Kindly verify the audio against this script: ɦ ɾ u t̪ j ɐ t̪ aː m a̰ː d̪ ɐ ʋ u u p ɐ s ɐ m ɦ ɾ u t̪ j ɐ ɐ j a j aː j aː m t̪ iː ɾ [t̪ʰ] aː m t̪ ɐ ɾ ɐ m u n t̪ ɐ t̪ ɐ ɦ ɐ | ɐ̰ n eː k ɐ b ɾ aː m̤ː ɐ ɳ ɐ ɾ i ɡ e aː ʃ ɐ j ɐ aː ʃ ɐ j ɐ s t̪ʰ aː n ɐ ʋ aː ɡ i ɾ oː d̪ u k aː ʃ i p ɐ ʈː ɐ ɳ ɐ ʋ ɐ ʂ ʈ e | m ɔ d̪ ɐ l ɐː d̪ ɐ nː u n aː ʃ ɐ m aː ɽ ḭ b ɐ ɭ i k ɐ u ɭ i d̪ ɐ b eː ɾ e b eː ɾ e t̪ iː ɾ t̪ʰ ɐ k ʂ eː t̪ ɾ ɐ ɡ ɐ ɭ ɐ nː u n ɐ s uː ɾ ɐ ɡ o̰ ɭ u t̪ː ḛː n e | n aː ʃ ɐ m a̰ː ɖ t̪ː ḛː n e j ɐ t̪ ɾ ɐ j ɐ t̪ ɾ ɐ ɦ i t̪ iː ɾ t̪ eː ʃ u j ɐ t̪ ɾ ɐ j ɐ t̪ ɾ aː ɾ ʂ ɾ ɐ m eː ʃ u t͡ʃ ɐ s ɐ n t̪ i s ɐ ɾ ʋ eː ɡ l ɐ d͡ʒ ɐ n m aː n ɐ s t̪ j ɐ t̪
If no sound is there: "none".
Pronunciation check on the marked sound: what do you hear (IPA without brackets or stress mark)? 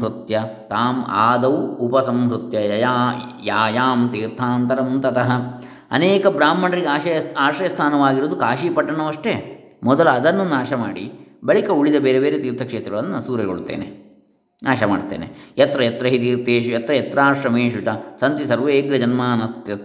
t̪ʰ